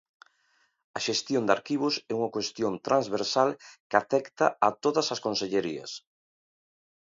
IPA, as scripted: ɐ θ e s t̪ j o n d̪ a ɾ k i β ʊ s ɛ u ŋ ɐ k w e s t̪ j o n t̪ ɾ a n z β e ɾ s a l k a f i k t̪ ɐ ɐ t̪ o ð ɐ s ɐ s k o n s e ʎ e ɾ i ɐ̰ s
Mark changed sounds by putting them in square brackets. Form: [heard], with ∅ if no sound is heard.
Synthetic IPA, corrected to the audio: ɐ [ʃ] e s t̪ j o n d̪ a ɾ k i β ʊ s ɛ u ŋ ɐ k w e s t̪ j o n t̪ ɾ a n z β e ɾ s a l k a f [ɛ] k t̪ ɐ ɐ t̪ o ð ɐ s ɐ s k o n s e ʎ e ɾ i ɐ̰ s